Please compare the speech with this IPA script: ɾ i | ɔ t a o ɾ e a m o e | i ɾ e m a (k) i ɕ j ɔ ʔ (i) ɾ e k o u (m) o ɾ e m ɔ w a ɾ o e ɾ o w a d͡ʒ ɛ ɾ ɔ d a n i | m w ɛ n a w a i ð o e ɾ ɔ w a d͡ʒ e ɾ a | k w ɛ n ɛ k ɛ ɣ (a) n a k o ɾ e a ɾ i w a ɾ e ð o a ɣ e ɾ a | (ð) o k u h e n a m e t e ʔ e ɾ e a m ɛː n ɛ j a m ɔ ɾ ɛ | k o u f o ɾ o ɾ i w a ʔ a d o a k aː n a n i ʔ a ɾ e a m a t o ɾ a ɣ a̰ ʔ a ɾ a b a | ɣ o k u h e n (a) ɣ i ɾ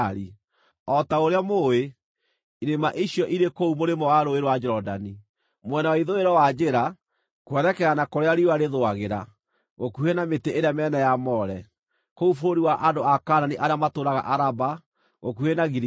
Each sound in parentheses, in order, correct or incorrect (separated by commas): incorrect, correct, correct, correct, incorrect, correct